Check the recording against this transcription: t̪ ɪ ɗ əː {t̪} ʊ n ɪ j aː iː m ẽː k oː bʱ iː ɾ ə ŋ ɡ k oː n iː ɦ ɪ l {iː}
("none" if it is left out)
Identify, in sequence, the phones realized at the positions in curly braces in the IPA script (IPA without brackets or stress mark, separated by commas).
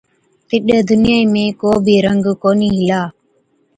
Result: d̪, aː